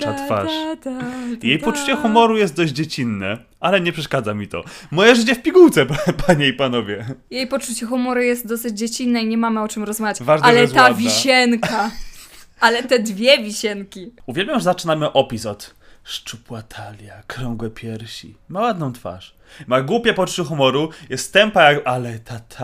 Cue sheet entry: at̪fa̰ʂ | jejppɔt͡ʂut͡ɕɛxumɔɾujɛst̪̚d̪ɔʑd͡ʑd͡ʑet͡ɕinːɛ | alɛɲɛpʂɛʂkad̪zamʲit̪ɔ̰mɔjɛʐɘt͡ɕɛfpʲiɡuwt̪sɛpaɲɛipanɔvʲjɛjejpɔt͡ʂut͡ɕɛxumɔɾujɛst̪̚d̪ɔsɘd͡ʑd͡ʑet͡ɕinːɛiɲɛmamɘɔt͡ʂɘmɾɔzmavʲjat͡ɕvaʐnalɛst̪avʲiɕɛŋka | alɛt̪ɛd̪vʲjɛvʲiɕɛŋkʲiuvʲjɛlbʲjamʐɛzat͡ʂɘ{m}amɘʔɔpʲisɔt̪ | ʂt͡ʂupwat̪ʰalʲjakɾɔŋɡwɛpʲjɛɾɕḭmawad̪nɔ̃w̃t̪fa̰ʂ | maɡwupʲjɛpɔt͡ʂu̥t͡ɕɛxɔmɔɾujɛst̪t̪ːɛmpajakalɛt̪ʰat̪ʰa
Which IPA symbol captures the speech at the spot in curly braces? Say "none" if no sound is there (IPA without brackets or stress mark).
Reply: n